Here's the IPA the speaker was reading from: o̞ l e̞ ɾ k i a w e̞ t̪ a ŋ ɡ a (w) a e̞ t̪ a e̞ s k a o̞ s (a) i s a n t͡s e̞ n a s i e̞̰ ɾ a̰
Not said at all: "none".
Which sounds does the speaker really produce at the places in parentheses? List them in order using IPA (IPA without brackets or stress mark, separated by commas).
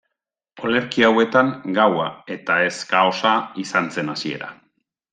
w, a